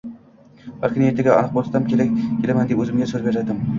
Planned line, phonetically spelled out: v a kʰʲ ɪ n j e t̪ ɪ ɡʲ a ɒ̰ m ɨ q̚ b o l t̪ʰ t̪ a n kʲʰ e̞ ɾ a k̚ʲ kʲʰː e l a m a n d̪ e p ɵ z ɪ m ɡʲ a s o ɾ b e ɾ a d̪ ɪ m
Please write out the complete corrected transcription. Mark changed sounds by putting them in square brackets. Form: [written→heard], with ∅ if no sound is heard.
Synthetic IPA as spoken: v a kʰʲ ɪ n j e t̪ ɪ ɡʲ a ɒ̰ [m→n] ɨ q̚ b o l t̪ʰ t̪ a [n→m] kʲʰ e̞ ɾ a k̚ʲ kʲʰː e l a m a n d̪ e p ɵ z ɪ m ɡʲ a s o ɾ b e ɾ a d̪ ɪ m